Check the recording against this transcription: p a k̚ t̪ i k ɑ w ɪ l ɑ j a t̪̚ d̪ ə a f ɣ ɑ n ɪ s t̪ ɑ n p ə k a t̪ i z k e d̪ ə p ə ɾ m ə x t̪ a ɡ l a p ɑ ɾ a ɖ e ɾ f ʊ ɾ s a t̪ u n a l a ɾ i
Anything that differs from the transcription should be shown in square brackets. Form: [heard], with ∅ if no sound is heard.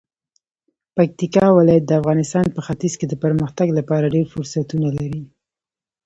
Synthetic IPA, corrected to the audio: p a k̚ t̪ i k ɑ w ɪ l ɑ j a t̪̚ d̪ ə a f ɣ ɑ n ɪ s t̪ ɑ n p ə [x] a t̪ i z k e d̪ ə p ə ɾ m ə x t̪ a ɡ l a p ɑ ɾ a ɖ e ɾ f ʊ ɾ s a t̪ u n a l a ɾ i